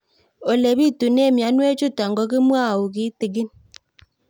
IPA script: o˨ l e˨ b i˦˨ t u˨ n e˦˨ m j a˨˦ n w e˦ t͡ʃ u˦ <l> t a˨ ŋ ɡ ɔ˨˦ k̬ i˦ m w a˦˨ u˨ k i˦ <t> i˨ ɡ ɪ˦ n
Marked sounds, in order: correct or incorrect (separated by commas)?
incorrect, correct